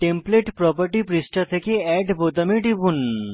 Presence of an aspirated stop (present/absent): present